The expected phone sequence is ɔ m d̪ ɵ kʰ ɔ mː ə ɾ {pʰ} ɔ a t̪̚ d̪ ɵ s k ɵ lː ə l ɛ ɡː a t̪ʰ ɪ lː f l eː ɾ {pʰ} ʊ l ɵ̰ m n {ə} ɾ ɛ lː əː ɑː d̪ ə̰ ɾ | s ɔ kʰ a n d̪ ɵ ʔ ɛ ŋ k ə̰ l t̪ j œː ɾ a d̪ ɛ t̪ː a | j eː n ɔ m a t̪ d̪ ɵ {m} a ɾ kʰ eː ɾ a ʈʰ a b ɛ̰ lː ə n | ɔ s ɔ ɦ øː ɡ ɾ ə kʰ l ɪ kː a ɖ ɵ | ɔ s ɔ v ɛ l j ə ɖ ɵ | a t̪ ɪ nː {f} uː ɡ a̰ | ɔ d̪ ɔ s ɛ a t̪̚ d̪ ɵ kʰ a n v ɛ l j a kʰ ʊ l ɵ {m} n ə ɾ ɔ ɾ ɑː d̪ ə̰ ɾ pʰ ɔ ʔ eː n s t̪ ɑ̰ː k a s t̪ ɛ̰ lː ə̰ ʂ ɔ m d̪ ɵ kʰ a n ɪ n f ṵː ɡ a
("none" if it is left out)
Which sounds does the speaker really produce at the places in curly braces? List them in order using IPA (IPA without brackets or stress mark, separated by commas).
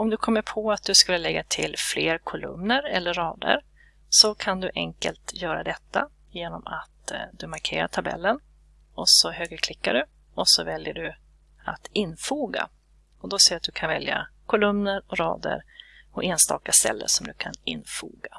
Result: pʰ, kʰ, ə, m, f, m